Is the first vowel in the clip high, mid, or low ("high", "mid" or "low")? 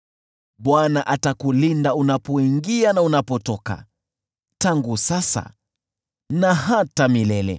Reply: low